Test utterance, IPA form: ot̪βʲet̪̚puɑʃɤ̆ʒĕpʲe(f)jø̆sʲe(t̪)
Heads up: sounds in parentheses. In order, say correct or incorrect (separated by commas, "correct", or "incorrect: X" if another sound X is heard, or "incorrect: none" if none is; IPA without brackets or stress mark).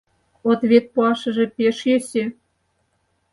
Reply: incorrect: ʃ, incorrect: none